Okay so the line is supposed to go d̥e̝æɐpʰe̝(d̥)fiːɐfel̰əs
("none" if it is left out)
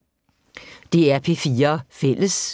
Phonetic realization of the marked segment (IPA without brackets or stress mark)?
none